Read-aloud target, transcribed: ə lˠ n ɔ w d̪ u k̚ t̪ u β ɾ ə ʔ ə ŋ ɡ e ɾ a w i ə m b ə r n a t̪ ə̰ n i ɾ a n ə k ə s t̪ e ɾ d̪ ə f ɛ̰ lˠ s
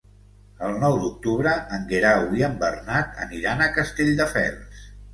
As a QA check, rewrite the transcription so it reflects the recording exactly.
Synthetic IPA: ə lˠ n ɔ w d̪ u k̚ t̪ u β ɾ ə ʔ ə ŋ ɡ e ɾ a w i ə m b ə r n a t̪ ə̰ n i ɾ a n ə k ə s t̪ e ʎ d̪ ə f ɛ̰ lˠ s